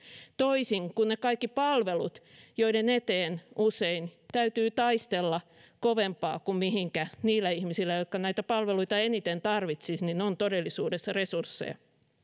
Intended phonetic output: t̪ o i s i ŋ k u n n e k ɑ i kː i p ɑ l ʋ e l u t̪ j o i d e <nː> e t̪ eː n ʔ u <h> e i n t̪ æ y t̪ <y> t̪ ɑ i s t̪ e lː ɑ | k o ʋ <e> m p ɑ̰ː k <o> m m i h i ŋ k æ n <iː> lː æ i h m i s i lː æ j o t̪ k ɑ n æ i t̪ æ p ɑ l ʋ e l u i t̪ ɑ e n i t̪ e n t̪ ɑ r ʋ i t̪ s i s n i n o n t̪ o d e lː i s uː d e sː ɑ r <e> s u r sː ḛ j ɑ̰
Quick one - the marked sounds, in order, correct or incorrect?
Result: incorrect: n, incorrect: s, incorrect: yː, correct, incorrect: u, correct, correct

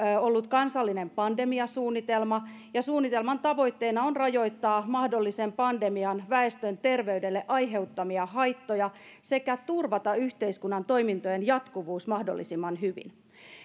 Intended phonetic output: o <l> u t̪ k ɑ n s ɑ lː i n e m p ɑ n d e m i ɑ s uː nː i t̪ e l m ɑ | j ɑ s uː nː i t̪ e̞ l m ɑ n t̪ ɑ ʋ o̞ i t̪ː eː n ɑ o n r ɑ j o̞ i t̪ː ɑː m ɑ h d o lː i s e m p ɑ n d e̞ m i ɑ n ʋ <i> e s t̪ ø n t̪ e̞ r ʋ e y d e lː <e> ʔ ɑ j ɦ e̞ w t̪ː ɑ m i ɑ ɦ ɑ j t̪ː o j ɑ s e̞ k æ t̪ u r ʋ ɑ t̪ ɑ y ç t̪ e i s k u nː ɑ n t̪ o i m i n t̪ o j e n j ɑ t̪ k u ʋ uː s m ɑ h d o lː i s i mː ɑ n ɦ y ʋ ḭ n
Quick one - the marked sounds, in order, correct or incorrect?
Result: incorrect: lː, incorrect: æ, correct

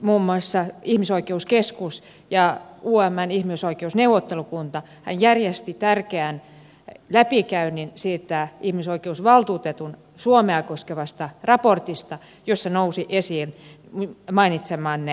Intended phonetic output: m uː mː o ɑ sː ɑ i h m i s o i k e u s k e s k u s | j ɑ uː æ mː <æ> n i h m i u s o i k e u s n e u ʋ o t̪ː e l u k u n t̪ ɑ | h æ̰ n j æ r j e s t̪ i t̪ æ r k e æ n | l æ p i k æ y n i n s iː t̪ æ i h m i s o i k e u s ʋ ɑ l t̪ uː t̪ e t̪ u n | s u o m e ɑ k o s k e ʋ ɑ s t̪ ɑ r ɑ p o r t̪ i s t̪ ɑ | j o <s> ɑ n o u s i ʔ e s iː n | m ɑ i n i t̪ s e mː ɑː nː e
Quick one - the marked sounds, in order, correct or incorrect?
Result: correct, incorrect: sː

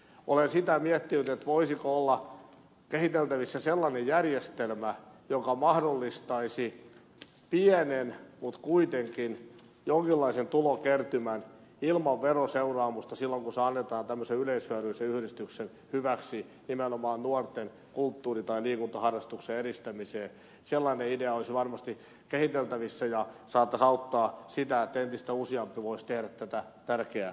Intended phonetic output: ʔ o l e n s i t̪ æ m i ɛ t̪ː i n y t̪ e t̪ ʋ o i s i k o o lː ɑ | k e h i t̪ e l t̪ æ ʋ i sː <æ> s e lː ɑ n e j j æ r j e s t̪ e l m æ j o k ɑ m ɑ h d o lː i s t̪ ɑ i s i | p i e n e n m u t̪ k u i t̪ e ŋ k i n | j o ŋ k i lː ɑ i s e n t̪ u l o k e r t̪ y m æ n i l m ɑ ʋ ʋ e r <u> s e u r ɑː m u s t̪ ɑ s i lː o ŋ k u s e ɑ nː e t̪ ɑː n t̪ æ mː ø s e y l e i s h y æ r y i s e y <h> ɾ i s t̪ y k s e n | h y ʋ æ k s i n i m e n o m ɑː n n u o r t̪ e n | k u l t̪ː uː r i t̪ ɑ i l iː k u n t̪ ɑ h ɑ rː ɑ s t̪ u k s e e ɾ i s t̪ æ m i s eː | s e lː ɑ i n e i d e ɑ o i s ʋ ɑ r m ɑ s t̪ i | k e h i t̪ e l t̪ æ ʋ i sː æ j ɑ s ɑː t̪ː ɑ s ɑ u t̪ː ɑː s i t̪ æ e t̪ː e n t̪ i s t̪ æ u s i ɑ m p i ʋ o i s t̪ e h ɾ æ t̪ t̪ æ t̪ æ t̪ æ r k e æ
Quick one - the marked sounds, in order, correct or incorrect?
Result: correct, incorrect: o, correct

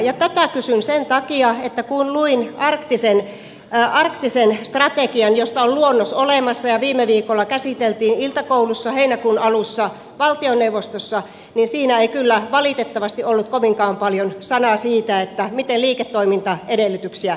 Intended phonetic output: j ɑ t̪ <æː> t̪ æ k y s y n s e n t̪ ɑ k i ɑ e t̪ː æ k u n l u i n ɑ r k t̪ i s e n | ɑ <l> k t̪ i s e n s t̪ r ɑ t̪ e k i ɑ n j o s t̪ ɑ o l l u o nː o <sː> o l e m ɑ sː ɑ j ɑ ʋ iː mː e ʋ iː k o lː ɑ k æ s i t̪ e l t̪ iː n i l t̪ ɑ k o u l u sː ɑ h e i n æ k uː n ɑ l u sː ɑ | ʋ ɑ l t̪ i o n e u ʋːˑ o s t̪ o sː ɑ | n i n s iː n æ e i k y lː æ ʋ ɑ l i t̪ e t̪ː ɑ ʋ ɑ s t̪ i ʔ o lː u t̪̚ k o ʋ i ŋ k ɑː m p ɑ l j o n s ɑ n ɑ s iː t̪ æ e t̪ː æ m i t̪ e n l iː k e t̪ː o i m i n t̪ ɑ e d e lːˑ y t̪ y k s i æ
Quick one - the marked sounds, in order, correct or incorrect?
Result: incorrect: æ, incorrect: r, incorrect: s

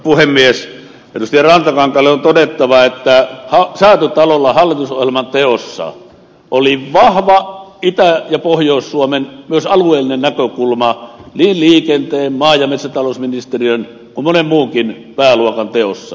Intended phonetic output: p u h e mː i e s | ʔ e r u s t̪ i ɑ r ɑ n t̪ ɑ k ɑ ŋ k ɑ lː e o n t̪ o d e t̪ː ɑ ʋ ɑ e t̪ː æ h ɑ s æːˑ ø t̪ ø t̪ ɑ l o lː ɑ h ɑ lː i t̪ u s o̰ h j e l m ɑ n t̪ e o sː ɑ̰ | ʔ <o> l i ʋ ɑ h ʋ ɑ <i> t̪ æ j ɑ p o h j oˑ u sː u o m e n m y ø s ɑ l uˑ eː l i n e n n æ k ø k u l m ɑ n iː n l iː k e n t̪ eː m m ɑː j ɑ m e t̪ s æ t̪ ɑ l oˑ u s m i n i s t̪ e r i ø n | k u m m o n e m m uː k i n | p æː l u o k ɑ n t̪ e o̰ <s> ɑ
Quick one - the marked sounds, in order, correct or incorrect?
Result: correct, correct, incorrect: sː

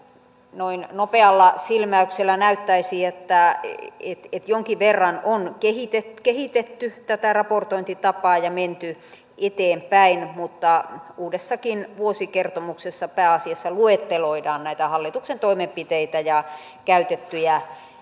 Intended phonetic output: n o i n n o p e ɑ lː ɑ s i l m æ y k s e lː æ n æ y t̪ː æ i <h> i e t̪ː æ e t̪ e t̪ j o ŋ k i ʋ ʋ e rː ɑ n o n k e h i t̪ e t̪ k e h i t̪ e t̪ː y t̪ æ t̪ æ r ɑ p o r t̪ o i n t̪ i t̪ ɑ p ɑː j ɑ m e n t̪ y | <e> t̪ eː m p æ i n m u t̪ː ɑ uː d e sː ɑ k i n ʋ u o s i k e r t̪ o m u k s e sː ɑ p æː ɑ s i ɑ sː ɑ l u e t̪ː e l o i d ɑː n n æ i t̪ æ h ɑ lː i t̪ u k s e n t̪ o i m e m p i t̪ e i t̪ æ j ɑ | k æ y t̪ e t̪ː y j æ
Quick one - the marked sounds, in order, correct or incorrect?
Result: incorrect: s, correct

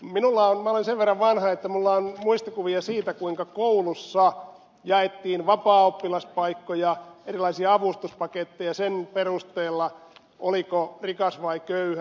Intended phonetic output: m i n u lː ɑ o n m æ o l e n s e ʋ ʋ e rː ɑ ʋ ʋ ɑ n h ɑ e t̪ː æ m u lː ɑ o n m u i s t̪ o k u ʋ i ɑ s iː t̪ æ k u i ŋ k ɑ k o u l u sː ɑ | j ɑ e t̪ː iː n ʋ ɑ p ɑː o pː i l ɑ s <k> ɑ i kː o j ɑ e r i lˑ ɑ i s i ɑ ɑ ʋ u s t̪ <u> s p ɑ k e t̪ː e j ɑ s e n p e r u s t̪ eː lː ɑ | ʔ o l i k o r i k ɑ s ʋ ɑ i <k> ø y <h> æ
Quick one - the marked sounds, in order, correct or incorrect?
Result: incorrect: p, correct, correct, correct

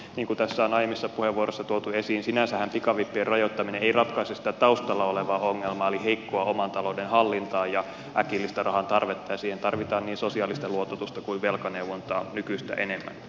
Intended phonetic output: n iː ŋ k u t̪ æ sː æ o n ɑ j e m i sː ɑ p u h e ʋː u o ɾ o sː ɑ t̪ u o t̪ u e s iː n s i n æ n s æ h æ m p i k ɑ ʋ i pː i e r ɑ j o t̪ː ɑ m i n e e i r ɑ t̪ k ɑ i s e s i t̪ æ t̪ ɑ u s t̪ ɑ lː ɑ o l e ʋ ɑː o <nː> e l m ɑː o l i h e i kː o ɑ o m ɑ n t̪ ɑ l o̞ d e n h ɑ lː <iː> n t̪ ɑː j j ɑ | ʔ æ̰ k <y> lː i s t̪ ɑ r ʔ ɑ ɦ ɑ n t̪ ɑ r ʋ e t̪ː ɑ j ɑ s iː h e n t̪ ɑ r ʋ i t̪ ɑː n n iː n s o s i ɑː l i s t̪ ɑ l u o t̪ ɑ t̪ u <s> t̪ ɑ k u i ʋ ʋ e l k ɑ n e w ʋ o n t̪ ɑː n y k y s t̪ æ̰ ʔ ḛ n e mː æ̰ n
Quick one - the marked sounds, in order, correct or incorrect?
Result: incorrect: ŋː, incorrect: i, incorrect: i, correct

